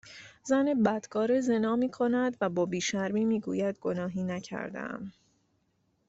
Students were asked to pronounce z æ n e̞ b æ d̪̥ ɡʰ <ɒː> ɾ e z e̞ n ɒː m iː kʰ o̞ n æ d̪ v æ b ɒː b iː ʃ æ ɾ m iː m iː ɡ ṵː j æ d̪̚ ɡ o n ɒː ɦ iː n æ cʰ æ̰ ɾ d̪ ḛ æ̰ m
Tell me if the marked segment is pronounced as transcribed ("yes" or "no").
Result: yes